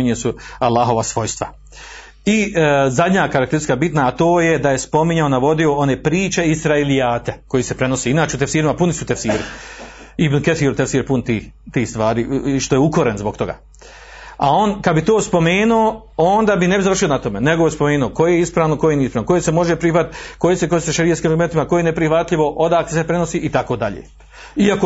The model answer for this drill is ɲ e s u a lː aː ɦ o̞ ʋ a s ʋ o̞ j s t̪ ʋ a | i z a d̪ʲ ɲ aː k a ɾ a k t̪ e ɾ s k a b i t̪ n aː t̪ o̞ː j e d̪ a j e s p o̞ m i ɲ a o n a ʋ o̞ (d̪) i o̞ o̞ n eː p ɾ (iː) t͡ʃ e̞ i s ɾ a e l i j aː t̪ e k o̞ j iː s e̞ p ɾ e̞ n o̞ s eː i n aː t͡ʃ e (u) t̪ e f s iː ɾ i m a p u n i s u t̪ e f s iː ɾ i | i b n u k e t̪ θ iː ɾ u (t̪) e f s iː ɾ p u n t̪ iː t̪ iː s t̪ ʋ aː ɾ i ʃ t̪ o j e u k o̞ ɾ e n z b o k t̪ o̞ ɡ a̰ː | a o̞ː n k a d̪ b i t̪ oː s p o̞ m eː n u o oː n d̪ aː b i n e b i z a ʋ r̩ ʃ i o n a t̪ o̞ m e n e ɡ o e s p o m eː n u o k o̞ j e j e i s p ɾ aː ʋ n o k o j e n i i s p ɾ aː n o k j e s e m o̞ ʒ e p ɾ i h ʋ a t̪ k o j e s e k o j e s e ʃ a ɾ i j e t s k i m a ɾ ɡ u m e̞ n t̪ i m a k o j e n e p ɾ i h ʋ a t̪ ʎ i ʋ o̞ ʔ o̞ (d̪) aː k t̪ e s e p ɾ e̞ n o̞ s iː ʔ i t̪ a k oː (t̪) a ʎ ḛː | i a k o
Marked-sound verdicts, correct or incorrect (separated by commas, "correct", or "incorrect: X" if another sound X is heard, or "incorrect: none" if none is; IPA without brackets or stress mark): correct, correct, correct, correct, correct, incorrect: d̪